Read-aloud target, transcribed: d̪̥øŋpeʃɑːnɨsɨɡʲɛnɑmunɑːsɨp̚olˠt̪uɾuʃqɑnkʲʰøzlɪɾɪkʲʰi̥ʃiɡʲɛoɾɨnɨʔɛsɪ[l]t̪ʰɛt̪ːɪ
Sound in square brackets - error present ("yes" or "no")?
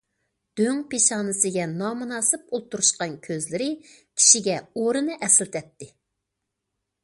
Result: no